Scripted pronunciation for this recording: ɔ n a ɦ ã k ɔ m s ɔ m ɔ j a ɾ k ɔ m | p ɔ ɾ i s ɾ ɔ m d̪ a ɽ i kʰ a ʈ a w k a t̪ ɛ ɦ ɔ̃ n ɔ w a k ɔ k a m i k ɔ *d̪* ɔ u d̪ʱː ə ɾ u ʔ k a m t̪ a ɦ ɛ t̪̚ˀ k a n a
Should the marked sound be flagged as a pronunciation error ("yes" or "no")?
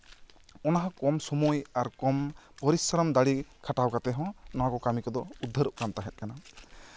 no